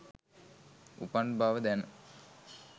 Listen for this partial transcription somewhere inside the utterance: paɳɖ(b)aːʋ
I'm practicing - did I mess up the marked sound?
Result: no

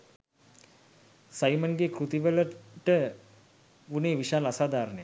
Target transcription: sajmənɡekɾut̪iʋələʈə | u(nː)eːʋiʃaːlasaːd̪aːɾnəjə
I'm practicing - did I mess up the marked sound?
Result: yes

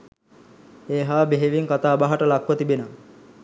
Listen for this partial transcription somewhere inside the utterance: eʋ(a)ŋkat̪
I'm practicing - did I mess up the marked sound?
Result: yes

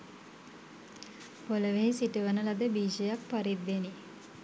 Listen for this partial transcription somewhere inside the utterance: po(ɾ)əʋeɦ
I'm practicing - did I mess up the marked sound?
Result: yes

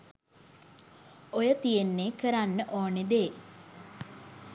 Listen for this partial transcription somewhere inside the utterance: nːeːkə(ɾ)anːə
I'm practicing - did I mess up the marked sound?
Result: no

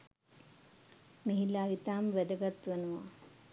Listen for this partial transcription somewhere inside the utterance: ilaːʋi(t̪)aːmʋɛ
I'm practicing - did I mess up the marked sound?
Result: no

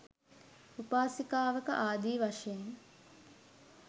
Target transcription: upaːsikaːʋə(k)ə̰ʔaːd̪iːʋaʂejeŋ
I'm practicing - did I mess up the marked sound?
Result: no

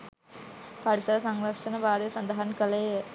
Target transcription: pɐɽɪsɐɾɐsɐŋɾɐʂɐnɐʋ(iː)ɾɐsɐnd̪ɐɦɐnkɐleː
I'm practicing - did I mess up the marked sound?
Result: yes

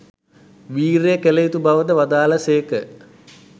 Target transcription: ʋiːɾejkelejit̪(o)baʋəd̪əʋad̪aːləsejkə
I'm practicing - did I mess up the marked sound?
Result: yes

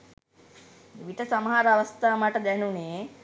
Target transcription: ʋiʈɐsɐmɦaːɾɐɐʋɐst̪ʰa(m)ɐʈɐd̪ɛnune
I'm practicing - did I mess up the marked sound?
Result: no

